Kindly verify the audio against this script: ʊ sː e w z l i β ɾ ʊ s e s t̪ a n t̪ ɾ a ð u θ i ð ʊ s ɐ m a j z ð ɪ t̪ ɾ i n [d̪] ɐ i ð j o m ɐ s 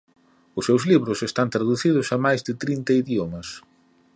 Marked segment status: incorrect: t̪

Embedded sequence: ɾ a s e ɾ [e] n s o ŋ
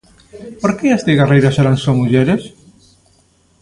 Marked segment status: incorrect: a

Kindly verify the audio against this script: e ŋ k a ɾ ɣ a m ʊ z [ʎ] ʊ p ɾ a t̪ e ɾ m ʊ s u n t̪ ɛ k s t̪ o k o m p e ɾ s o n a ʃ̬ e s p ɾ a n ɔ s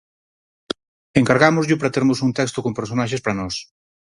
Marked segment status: correct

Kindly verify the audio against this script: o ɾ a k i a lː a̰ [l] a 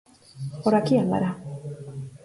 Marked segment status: incorrect: ɾ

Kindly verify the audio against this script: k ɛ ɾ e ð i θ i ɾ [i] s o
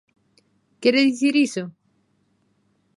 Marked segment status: correct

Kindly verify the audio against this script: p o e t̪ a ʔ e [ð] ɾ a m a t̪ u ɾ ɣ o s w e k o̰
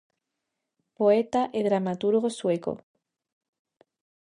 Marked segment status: correct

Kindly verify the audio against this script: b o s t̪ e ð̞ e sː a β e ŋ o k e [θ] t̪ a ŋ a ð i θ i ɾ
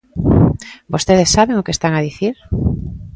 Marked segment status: incorrect: s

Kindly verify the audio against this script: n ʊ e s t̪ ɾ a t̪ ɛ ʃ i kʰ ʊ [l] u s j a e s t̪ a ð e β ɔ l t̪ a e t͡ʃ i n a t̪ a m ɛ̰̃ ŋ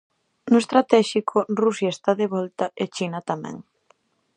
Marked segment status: incorrect: r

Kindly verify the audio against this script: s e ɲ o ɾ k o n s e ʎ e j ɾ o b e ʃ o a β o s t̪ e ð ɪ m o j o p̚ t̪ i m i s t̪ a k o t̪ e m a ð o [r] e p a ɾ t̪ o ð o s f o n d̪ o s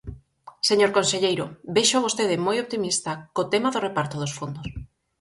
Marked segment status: correct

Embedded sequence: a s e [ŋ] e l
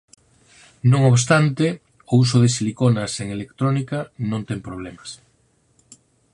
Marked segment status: correct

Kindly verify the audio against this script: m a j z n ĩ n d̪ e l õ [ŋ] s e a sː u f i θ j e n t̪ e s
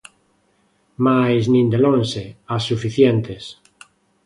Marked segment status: incorrect: n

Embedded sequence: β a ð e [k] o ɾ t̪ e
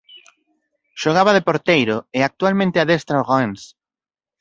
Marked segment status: incorrect: p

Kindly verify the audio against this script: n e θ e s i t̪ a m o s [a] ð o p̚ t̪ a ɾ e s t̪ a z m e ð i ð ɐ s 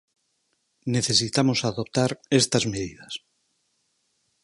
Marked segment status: correct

